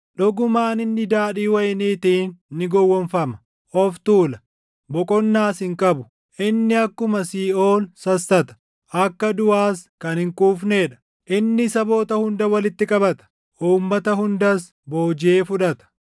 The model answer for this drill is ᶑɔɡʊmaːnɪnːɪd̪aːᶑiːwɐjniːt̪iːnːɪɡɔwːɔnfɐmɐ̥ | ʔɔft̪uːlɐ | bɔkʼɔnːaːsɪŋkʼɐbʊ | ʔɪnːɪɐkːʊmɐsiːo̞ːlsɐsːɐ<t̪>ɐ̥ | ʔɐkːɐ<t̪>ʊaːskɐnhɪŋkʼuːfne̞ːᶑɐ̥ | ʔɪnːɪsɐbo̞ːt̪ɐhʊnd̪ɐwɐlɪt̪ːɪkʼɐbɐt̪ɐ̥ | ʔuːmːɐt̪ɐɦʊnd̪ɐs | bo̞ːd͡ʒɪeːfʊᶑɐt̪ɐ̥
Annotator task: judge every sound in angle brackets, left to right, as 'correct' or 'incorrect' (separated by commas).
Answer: correct, incorrect